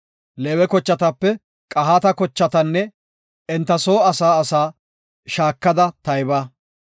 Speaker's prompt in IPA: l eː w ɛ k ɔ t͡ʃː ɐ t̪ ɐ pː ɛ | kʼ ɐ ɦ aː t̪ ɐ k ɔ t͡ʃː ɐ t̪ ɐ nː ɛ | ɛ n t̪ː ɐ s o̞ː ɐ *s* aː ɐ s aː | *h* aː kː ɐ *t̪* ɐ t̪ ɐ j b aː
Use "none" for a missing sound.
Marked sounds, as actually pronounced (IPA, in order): s, ʃ, d̪

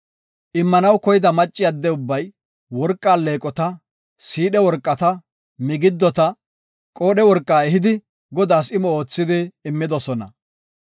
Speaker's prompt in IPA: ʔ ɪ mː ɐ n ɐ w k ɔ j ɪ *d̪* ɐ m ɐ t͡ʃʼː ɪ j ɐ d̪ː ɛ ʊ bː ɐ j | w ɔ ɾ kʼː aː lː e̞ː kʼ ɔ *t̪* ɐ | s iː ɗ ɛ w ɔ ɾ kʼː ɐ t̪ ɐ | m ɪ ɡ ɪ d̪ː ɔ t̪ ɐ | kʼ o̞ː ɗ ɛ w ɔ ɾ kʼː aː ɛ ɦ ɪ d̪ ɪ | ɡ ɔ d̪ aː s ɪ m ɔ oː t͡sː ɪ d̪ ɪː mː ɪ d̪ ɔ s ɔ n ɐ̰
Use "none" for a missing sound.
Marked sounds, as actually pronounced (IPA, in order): d̪, t̪

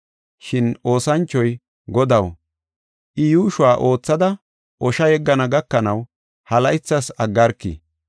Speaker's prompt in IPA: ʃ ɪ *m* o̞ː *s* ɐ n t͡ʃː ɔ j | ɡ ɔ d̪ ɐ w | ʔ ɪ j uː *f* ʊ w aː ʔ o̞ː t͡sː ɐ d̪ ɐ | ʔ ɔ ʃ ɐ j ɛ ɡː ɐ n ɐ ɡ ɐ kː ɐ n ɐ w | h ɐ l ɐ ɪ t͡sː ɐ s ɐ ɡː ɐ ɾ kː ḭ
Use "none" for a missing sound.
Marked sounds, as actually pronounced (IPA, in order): n, s, ʃ

